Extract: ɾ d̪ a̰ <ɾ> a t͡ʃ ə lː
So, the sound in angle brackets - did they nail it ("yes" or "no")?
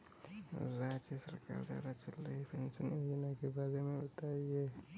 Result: yes